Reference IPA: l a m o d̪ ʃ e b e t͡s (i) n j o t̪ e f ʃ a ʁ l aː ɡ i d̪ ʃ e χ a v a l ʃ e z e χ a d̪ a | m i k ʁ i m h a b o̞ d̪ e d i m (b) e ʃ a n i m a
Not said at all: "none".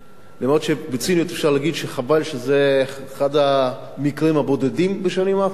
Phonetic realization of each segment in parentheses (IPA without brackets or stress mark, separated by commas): i, b